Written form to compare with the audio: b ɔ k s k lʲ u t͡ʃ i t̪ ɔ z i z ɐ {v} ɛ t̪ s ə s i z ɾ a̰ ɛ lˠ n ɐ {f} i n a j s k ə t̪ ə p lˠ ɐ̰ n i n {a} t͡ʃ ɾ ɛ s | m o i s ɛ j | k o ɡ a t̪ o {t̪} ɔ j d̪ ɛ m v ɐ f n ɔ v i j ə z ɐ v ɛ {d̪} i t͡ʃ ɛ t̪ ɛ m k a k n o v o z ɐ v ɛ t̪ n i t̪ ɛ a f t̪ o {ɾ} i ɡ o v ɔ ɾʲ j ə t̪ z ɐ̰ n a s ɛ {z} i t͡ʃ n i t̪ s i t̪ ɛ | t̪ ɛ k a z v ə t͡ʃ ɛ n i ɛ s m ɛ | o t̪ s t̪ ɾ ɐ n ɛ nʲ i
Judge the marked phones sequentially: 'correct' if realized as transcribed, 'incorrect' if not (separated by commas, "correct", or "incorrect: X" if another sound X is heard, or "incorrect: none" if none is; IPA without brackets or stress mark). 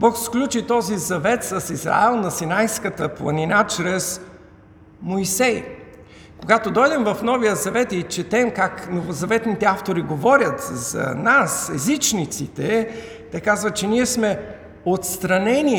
correct, incorrect: s, correct, incorrect: d̪, incorrect: t̪, correct, correct